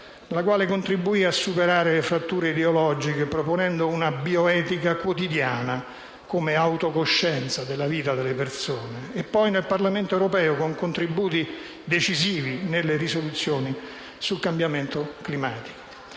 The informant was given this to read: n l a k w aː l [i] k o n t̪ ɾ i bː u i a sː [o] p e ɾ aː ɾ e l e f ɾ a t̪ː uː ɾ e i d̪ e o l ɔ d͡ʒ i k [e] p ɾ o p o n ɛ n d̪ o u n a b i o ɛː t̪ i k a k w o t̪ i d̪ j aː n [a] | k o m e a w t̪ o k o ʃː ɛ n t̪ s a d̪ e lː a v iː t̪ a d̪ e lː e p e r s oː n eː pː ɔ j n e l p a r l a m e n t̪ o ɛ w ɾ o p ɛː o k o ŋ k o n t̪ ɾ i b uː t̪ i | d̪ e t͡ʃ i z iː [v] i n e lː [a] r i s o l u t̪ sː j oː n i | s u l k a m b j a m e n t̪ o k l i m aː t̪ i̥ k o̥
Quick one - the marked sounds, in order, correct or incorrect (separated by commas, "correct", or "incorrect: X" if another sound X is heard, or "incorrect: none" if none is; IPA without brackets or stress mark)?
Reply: incorrect: e, incorrect: u, correct, correct, correct, incorrect: e